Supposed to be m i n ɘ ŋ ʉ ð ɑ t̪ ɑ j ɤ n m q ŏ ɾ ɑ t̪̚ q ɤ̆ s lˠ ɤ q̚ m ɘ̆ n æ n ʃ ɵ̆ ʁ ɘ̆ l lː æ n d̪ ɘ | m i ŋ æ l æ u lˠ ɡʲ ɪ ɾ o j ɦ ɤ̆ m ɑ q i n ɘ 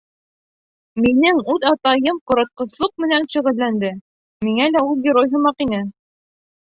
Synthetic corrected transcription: m i n ɘ ŋ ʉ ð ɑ t̪ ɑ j ɤ m q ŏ ɾ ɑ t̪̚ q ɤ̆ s lˠ ɤ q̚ m ɘ̆ n æ n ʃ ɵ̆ ʁ ɘ̆ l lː æ n d̪ ɘ | m i ŋ æ l æ u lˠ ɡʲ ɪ ɾ o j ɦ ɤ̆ m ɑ q i n ɘ

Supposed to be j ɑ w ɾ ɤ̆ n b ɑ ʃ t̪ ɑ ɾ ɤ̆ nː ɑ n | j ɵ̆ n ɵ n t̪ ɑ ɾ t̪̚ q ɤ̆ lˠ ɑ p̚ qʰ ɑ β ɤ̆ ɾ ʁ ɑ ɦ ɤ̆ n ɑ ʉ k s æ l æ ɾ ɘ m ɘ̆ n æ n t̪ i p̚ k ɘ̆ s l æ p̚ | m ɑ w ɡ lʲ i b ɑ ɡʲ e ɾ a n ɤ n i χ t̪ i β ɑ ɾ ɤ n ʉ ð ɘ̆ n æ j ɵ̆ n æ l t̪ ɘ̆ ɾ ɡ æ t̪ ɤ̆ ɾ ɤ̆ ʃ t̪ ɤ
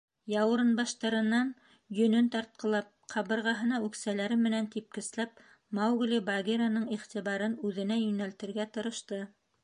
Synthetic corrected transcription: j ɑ w ɾ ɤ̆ n b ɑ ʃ t̪ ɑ ɾ ɤ̆ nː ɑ n | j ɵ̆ n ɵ n t̪ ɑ ɾ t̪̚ q ɤ̆ lˠ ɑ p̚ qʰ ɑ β ɤ̆ ɾ ʁ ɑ ɦ ɤ̆ n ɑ ʉ k s æ l æ ɾ ɘ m ɘ̆ n æ n t̪ i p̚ k ɘ̆ s l æ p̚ | m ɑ w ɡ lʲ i b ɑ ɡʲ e ɾ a n ɤ ɴ i χ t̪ i β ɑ ɾ ɤ n ʉ ð ɘ̆ n æ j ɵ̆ n æ l t̪ ɘ̆ ɾ ɡ æ t̪ ɤ̆ ɾ ɤ̆ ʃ t̪ ɤ

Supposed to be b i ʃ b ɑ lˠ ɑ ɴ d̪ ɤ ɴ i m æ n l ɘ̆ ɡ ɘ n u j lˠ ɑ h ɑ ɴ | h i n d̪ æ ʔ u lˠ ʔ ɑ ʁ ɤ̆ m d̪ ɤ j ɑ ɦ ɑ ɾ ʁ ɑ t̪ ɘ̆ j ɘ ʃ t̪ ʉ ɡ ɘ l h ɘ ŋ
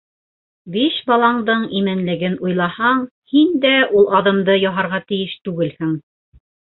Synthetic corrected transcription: b i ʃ b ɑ lˠ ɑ ɴ d̪ ɤ ɴ i m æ n l ɘ̆ ɡ ɘ n u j lˠ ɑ h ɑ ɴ | h i n d̪ æ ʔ u lˠ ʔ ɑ ð ɤ̆ m d̪ ɤ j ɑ ɦ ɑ ɾ ʁ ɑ t̪ ɘ̆ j ɘ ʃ t̪ ʉ ɡ ɘ l h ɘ ŋ

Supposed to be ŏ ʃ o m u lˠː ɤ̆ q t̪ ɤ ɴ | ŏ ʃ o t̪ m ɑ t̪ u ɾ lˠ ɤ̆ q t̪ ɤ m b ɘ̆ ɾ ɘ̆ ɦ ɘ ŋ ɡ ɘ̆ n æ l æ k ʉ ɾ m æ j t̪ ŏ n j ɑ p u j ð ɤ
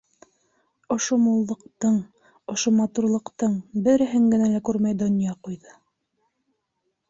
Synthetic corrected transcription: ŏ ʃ o m u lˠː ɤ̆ q t̪ ɤ ɴ | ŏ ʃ o m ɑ t̪ u ɾ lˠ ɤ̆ q t̪ ɤ ɴ b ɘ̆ ɾ ɘ̆ ɦ ɘ ŋ ɡ ɘ̆ n æ l æ k ʉ ɾ m æ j d̪ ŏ n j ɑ q u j ð ɤ

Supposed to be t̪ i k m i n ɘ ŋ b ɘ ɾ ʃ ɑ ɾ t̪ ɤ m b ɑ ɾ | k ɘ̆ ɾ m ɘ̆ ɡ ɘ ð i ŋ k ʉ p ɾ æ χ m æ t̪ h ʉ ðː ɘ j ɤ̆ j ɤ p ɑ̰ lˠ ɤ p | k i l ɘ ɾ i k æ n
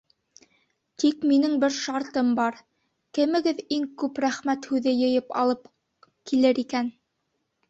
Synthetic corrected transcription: t̪ i k m i n ɘ ŋ b ɘ ɾ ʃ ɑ ɾ t̪ ɤ m b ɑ ɾ | k ɘ̆ m ɘ̆ ɡ ɘ ð i ŋ k ʉ p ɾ æ χ m æ t̪ h ʉ ð ɘ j ɤ̆ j ɤ p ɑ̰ lˠ ɤ p | k i l ɘ ɾ i k æ n

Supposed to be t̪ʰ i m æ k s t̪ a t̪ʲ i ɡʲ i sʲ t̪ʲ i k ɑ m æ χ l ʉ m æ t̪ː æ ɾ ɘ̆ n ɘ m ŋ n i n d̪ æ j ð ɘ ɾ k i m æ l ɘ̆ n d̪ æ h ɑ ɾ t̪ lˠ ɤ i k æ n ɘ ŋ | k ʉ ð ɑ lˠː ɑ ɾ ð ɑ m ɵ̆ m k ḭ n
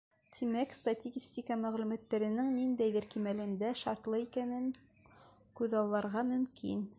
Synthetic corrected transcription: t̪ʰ i m æ k s t̪ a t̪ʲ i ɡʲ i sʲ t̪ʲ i k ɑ m æ ʁ l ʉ m æ t̪ː æ ɾ ɘ̆ n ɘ ŋ n i n d̪ æ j ð ɘ ɾ k i m æ l ɘ̆ n d̪ æ ʃ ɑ ɾ t̪ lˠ ɤ i k æ n ɘ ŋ | k ʉ ð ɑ lˠː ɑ ɾ ʁ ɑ m ɵ̆ m k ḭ n

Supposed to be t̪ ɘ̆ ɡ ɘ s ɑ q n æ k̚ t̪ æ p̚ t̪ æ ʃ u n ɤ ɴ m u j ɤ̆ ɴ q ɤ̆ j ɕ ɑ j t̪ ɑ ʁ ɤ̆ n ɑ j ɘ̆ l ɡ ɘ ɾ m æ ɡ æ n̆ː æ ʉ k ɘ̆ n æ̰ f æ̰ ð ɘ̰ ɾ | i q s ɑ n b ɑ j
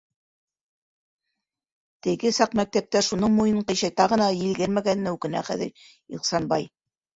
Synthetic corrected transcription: t̪ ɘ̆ ɡ ɘ s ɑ q m æ k̚ t̪ æ p̚ t̪ æ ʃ u n ɤ ɴ m u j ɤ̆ ɴ q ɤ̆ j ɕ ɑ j t̪ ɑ ʁ ɤ̆ n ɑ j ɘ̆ l ɡ ɘ ɾ m æ ɡ æ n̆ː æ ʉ k ɘ̆ n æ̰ χ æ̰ ð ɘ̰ ɾ | i q s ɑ n b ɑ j

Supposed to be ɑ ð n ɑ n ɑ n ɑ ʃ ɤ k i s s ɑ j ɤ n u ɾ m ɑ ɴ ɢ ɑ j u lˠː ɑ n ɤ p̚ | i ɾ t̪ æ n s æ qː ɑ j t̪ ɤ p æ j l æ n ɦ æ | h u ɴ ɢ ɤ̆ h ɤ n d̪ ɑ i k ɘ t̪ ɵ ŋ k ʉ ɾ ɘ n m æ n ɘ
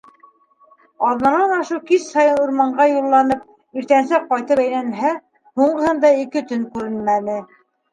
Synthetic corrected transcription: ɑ ð n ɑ n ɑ n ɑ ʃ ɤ k i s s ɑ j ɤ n u ɾ m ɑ ɴ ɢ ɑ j u lˠː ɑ n ɤ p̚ | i ɾ t̪ æ n s æ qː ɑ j t̪ ɤ p æ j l æ n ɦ æ | h u ɴ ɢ ɤ̆ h ɤ n d̪ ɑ i k ɘ t̪ ɵ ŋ k ʉ ɾ ɘ n m æ n ɘ

